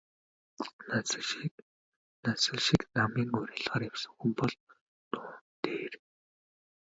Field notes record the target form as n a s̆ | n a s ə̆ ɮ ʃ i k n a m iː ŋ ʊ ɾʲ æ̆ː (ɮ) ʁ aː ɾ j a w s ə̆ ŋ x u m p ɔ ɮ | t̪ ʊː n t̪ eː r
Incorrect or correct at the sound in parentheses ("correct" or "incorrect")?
correct